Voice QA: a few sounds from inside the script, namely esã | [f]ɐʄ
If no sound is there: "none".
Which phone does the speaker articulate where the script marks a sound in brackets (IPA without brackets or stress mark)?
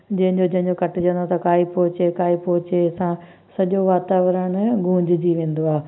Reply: s